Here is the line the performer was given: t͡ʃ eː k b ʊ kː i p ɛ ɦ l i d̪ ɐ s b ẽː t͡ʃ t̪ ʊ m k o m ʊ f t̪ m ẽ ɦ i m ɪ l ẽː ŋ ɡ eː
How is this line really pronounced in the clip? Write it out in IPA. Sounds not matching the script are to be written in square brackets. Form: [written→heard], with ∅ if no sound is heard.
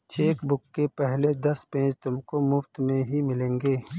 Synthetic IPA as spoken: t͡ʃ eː k b ʊ kː [i→e] p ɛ ɦ l [i→e] d̪ ɐ s [b→p] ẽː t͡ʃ t̪ ʊ m k o m ʊ f t̪ m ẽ ɦ i m ɪ l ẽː ŋ ɡ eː

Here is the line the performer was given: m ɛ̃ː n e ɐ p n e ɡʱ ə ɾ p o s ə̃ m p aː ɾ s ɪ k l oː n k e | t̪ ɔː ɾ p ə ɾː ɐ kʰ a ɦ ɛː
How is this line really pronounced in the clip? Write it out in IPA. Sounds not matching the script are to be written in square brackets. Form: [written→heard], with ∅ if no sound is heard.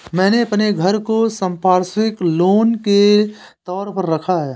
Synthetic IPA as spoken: m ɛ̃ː n e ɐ p n e ɡʱ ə ɾ [p→k] o s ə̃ m p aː ɾ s ɪ k l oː n k e | t̪ ɔː ɾ p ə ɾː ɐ kʰ a ɦ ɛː

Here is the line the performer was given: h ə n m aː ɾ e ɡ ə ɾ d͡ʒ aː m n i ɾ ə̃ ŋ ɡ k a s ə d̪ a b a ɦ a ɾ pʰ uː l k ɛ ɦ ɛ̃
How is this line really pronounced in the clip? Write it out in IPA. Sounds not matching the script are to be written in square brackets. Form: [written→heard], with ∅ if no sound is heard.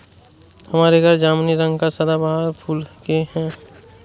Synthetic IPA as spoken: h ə [n→∅] m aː ɾ e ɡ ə ɾ d͡ʒ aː m n i ɾ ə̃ ŋ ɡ k a s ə d̪ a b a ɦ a ɾ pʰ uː l k [ɛ→e] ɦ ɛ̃

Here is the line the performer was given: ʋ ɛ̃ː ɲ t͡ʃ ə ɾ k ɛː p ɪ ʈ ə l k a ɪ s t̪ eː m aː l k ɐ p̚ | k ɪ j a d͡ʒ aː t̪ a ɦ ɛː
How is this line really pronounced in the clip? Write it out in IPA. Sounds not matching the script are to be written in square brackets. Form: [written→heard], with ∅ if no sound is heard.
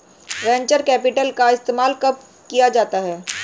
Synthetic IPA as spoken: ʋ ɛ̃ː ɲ t͡ʃ ə ɾ k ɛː p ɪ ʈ ə l k a ɪ s t̪ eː m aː l k ɐ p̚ | k [ɪ→i] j a d͡ʒ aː t̪ a ɦ ɛː

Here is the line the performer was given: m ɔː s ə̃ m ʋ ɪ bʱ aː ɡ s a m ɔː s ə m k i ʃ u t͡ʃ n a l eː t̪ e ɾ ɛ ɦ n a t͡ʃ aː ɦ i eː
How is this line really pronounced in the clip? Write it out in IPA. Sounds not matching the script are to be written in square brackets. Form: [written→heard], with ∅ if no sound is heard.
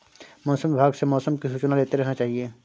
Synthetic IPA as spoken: m ɔː s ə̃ m ʋ ɪ bʱ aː ɡ s [a→e] m ɔː s ə m k i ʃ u t͡ʃ n a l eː t̪ e ɾ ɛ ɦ n a t͡ʃ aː ɦ i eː

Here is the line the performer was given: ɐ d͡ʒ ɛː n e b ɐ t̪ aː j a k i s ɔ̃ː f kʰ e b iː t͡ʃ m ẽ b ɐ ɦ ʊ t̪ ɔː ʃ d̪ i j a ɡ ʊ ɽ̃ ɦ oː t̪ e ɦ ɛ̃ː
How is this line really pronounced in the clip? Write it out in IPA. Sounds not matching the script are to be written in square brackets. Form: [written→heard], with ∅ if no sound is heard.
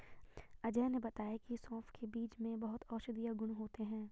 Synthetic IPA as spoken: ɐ d͡ʒ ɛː n e b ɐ t̪ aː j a k i s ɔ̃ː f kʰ e b iː t͡ʃ m ẽ b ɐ ɦ ʊ t̪ ɔː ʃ d̪ i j a ɡ ʊ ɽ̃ ɦ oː t̪ e ɦ ɛ̃ː

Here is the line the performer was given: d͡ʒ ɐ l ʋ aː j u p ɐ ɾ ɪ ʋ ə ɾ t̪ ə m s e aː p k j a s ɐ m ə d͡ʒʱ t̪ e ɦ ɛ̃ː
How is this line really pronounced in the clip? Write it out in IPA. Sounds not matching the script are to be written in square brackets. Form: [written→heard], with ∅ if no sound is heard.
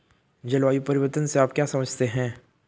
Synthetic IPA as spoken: d͡ʒ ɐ l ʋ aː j u p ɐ ɾ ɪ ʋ ə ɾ t̪ ə [m→n] s e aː p k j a s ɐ m ə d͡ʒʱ t̪ e ɦ ɛ̃ː

